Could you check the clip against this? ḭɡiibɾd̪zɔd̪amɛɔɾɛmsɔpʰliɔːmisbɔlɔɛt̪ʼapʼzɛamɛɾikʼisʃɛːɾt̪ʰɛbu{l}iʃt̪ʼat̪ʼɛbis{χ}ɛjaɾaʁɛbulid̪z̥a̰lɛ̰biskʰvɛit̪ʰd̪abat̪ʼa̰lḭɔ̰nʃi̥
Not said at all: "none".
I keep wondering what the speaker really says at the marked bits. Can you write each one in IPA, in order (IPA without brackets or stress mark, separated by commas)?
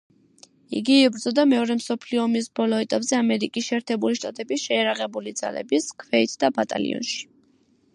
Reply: l, ʃ